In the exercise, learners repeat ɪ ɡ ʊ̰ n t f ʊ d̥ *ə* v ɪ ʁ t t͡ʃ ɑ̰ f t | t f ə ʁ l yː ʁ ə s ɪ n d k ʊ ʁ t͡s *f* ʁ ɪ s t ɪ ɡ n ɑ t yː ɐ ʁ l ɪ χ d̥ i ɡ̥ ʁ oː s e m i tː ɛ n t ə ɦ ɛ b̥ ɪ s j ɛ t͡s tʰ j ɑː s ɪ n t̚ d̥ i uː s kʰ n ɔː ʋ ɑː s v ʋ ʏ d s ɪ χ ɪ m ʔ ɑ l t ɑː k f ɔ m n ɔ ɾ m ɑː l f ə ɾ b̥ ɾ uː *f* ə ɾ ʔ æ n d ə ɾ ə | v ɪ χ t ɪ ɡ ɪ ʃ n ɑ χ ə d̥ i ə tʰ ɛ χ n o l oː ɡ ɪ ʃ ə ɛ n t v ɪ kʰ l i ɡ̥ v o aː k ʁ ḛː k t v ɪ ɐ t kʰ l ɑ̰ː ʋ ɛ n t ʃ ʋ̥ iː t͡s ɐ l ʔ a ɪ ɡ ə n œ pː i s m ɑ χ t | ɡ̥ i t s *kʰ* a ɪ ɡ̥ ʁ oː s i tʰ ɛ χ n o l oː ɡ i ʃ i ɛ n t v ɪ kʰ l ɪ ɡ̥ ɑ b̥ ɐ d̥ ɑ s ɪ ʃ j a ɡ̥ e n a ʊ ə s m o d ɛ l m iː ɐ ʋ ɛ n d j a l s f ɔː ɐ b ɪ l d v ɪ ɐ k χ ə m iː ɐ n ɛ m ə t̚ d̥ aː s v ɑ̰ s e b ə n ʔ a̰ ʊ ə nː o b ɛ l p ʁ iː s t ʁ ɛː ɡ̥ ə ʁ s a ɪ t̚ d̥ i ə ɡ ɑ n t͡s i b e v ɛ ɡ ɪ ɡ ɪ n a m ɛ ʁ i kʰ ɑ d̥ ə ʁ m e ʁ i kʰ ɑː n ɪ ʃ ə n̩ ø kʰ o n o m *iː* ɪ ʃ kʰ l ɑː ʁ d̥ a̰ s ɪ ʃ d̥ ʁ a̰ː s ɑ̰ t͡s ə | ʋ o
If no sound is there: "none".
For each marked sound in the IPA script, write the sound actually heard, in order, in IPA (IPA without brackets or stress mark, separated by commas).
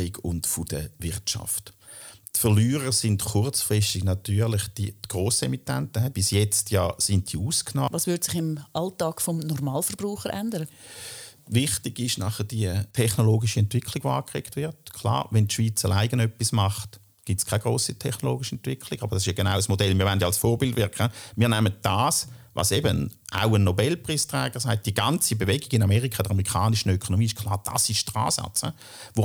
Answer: ə, f, χ, kʰ, iː